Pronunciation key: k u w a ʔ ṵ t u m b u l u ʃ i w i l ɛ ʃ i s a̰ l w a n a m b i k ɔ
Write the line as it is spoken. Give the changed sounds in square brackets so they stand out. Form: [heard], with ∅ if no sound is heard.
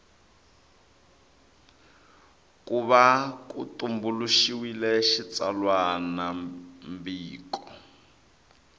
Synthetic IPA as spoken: k u [β] a [k] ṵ t u m b u l u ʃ i w i l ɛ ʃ i [t͡s] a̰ l w a n a m b [iː] k ɔ